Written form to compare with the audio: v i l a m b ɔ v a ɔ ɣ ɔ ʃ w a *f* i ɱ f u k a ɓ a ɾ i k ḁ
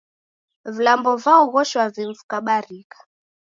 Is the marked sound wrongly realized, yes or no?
yes